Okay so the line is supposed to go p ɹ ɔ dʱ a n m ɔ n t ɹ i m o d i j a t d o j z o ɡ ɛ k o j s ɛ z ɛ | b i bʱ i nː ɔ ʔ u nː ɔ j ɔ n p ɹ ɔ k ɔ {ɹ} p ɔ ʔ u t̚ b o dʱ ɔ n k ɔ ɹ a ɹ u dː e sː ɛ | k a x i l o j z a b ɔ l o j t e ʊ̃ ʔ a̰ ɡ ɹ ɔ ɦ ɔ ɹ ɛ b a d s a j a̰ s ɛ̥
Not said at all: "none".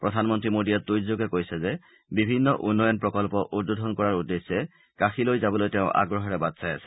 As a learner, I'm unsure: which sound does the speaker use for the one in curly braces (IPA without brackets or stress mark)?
l